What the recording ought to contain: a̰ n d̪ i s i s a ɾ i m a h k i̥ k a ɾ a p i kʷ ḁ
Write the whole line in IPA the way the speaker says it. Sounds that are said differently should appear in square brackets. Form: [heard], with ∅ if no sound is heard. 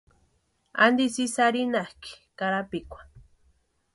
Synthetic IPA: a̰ n d̪ i s i s a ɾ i [n] a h k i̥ k a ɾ a p i kʷ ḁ

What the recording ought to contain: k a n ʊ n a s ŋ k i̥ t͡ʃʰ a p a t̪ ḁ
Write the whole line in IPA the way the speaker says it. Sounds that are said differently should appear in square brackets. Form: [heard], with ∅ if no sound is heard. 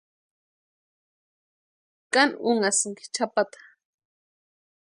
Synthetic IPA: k a n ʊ [ŋ] a s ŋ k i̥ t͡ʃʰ a p a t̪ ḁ

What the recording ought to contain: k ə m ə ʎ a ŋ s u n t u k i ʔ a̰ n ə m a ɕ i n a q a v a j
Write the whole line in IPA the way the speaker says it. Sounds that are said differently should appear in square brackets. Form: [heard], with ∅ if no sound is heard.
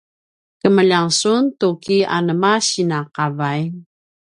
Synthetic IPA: k ə m ə ʎ a ŋ s u n t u k i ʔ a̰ n ə m a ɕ i n a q a v a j

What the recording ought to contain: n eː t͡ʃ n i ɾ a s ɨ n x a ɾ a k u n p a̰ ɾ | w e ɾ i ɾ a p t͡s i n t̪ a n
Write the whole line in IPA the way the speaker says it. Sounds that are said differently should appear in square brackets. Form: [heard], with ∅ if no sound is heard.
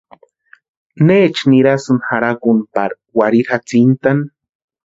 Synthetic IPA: n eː t͡ʃ n i ɾ a s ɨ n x a ɾ a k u n p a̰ ɾ | w [a] ɾ i ɾ a [∅] t͡s i n t̪ a n

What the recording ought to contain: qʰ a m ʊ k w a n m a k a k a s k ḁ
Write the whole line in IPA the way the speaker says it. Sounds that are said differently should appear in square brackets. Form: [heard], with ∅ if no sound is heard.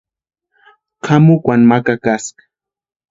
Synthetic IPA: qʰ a m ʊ k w a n m a k a k a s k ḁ

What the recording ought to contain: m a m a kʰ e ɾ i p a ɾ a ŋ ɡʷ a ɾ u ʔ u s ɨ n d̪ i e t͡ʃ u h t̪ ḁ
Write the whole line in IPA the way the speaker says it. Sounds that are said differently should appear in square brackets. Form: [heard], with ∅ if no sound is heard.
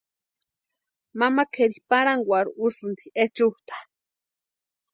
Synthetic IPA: m a m a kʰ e ɾ i p a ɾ a ŋ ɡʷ a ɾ u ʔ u s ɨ n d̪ i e t͡ʃ u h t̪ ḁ

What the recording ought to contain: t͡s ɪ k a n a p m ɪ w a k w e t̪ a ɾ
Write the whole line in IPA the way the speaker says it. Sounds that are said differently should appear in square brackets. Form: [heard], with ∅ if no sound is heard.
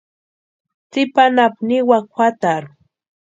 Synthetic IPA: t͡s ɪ [p] a n a p [n] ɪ w a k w [a] t̪ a ɾ

